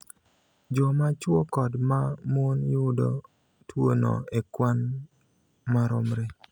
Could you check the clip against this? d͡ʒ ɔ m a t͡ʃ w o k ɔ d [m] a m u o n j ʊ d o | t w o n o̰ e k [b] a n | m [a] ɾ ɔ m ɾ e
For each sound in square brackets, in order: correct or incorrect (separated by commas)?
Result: correct, incorrect, correct